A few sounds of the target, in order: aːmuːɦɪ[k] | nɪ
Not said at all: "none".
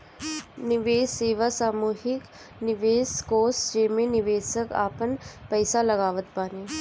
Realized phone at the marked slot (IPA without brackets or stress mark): k